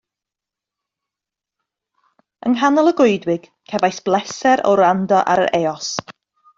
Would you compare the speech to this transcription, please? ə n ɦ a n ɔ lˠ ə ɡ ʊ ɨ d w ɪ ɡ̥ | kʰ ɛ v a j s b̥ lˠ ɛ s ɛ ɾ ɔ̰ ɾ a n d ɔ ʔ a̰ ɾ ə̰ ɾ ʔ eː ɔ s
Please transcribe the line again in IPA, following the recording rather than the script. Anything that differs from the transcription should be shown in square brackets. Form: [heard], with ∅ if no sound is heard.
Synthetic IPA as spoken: ə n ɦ a n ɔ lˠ ə ɡ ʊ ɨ d w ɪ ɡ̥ | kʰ ɛ v a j s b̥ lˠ ɛ s ɛ ɾ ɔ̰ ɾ a n d ɔ ʔ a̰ ɾ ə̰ ɾ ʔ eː ɔ s